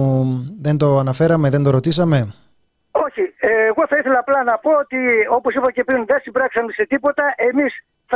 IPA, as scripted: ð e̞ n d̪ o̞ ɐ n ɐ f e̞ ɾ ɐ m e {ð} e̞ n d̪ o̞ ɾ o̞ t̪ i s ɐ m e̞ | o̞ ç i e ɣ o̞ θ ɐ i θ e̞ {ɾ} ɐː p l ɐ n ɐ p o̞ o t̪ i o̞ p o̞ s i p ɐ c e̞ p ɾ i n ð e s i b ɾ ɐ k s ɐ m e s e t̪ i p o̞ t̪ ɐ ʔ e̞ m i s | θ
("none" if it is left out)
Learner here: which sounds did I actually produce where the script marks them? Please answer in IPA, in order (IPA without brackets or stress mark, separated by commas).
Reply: ð, l